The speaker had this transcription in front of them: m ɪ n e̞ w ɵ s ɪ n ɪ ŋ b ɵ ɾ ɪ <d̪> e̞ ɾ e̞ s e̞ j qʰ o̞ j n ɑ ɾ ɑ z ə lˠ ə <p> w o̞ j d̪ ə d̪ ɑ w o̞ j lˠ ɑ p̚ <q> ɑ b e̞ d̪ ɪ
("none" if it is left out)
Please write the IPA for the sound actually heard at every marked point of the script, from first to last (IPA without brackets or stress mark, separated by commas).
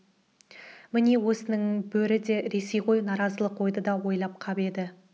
d̪, q, qʰ